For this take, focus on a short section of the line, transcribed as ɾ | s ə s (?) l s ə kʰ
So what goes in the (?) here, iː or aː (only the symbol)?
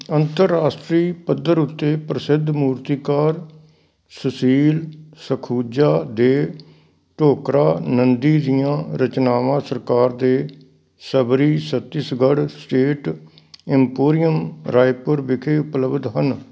iː